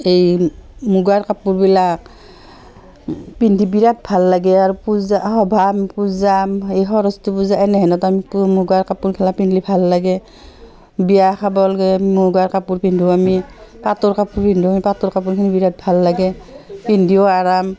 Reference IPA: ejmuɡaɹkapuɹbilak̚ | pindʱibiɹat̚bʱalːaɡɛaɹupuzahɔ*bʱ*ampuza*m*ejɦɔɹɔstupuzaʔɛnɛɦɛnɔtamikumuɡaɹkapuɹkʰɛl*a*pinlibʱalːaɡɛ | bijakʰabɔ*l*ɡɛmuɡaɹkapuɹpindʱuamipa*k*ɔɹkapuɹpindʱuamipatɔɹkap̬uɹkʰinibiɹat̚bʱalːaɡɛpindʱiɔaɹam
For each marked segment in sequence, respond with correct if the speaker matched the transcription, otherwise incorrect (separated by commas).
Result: correct, correct, correct, correct, incorrect